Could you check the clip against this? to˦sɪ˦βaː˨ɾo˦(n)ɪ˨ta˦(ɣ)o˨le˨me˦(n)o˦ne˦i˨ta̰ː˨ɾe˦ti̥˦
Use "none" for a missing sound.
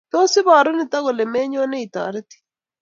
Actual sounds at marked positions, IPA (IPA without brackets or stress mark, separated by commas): n, ɣ, ɲ